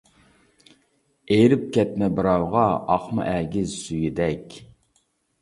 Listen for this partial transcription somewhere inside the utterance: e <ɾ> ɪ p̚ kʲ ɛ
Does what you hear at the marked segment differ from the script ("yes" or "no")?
no